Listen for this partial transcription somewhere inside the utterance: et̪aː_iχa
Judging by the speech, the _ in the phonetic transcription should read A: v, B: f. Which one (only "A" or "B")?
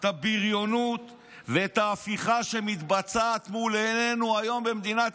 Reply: B